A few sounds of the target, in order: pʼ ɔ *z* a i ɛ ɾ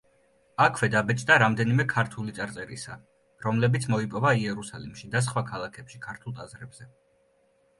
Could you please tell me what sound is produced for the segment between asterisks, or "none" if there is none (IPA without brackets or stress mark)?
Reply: v